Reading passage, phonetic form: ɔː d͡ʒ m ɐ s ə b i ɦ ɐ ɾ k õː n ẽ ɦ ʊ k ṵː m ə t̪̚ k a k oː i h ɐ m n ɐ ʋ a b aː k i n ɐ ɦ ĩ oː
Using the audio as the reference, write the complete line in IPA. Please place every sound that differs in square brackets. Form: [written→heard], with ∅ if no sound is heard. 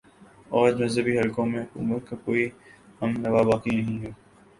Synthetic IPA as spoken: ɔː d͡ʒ m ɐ [s→z] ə b i ɦ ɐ [ɾ→l] k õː [n→m] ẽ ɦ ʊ k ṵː m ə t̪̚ k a k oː i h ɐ m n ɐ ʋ a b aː k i n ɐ ɦ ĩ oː